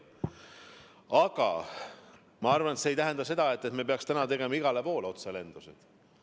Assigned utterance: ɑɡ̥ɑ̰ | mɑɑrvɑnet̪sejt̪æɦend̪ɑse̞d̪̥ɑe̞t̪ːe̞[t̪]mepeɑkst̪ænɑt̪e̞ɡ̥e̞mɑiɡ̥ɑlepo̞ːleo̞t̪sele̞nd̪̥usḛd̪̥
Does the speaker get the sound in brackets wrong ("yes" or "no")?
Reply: no